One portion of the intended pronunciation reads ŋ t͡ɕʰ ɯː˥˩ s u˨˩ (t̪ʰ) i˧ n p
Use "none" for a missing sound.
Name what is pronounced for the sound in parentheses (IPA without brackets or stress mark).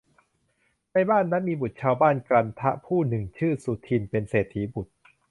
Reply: t̪ʰ